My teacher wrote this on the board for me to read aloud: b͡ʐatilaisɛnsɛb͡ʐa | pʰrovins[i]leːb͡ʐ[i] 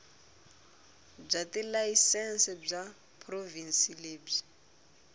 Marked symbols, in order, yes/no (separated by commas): yes, yes